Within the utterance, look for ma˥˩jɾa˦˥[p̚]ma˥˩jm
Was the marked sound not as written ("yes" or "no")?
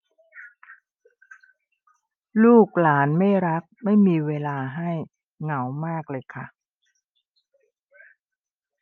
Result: yes